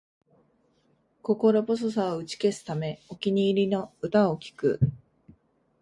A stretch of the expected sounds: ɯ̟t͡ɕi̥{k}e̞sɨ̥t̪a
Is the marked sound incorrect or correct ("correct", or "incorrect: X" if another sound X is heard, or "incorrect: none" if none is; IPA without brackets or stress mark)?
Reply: correct